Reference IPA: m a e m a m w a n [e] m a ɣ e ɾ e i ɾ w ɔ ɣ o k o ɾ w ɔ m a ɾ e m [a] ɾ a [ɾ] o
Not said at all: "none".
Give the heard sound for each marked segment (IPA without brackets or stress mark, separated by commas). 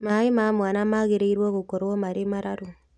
a, a, ɾ